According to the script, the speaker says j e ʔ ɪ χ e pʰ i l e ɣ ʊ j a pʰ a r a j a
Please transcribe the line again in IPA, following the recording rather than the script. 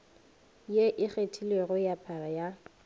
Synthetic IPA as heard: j e ʔ ɪ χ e tʰ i l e ɣ ʊ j a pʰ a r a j a